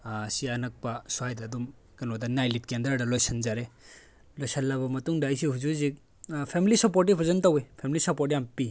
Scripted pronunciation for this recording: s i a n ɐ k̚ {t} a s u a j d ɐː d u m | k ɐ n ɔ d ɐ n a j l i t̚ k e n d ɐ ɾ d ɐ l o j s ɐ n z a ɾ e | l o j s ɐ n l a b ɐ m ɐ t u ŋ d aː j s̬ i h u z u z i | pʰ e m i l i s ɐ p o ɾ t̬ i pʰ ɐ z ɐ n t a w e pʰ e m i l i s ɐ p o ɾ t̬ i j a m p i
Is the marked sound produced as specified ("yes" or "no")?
no